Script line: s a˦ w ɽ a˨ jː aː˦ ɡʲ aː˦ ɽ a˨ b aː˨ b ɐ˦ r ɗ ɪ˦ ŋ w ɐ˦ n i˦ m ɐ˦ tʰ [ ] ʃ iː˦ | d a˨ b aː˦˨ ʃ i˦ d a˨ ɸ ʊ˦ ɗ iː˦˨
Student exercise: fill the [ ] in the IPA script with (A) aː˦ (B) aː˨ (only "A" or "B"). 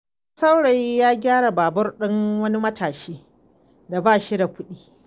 B